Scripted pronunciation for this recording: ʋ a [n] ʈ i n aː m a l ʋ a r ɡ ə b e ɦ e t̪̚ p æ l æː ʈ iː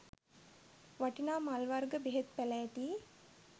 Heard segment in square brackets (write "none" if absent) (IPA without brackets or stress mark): none